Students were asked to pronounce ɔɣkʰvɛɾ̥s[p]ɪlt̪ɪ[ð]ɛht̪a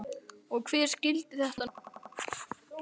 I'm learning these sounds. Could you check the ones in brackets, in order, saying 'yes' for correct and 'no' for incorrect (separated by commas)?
no, no